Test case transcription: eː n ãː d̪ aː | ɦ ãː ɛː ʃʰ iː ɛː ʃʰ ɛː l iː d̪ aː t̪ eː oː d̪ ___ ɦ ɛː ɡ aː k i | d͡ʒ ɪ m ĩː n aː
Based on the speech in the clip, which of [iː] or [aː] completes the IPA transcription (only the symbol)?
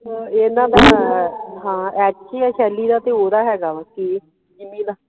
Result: aː